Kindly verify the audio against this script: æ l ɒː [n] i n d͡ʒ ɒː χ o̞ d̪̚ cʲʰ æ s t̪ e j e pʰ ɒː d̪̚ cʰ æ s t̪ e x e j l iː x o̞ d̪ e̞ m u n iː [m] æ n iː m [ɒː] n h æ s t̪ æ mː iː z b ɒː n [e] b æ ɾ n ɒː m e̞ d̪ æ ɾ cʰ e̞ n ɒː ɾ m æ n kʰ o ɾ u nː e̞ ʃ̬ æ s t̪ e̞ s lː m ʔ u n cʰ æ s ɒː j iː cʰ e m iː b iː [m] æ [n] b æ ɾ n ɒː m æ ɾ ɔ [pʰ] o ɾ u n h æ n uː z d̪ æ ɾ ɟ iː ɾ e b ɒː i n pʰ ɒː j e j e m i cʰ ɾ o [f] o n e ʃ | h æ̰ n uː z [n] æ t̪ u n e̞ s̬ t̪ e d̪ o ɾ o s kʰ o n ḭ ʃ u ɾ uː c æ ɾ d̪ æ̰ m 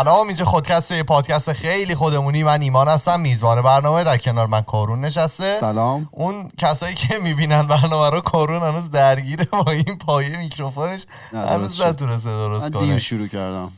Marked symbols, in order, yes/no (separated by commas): no, yes, yes, yes, no, yes, no, yes, yes